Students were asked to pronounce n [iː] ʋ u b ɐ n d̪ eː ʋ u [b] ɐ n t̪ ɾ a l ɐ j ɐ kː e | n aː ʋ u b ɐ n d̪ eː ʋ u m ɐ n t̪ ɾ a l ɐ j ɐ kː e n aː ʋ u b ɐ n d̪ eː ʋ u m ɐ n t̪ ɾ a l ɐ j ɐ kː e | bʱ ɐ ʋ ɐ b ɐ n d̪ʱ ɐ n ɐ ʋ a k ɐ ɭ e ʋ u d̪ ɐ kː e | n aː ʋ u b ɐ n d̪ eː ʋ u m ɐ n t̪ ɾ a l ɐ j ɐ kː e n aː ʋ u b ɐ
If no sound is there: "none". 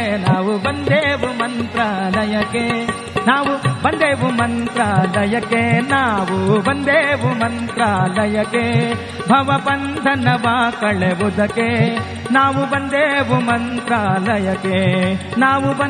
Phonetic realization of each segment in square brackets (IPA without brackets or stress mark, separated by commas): aː, m